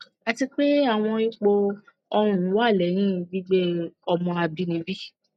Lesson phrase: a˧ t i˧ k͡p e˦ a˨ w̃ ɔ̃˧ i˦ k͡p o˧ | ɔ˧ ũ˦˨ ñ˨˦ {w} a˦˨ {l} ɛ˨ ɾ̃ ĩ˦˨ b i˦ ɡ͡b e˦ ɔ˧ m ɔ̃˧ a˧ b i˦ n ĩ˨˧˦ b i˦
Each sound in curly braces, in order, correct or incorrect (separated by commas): correct, correct